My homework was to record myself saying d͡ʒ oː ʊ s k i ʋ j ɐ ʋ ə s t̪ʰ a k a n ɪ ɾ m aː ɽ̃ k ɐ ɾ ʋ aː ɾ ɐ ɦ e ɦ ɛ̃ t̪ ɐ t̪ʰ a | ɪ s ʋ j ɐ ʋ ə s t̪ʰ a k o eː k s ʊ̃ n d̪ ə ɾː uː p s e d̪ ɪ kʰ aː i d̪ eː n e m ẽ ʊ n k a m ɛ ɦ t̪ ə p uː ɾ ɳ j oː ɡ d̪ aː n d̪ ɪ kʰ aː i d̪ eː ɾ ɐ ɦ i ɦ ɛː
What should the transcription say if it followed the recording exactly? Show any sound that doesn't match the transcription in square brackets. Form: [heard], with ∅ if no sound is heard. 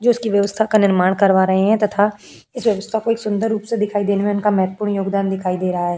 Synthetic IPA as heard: d͡ʒ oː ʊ s k i ʋ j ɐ ʋ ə s t̪ʰ a k a n ɪ ɾ m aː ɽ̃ k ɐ ɾ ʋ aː ɾ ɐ ɦ e ɦ ɛ̃ t̪ ɐ t̪ʰ a | ɪ s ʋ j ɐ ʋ ə s t̪ʰ a k o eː k s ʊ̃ n d̪ ə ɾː uː p s e d̪ ɪ kʰ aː i d̪ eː n e m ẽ ʊ n k a m ɛ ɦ t̪ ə p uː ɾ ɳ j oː ɡ d̪ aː n d̪ ɪ kʰ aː i d̪ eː ɾ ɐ ɦ [a] ɦ ɛː